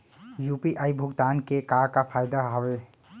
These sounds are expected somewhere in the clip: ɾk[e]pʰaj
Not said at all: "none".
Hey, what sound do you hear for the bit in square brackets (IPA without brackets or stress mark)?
a